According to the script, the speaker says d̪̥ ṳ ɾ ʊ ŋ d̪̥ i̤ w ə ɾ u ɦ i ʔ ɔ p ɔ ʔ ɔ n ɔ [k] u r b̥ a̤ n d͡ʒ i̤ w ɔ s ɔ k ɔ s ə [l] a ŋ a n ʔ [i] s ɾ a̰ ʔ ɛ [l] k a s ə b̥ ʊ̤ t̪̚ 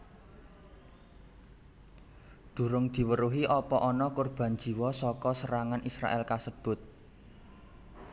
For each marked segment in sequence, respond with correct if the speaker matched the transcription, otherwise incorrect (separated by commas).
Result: correct, incorrect, correct, correct